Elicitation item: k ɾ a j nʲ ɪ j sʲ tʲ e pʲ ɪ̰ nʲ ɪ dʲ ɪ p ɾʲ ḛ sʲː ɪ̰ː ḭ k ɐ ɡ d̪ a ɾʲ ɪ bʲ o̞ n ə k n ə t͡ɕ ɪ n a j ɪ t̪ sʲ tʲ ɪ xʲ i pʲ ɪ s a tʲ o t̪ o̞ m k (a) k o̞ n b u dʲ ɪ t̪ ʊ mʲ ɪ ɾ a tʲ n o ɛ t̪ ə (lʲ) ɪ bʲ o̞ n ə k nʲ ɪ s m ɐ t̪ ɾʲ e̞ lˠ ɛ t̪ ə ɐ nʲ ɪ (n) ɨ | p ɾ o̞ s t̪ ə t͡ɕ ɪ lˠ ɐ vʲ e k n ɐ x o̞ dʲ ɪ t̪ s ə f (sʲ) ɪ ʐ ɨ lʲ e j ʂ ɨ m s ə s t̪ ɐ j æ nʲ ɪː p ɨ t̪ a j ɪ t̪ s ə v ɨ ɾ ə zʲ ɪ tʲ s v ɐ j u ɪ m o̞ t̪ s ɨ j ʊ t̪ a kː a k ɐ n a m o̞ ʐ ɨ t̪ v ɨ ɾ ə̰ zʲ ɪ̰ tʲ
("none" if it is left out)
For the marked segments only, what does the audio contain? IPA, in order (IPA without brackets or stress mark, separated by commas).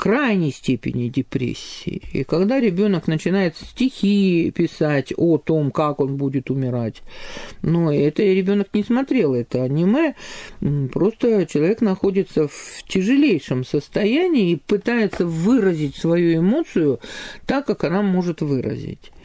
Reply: a, ɾʲ, m, tʲ